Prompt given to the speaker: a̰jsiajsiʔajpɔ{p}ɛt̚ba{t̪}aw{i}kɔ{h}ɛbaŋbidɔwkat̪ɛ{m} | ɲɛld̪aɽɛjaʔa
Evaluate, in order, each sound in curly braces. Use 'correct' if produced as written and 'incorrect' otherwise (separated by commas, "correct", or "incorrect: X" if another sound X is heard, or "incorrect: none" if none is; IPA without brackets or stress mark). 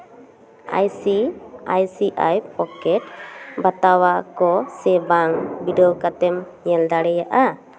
incorrect: k, correct, incorrect: a, incorrect: s, correct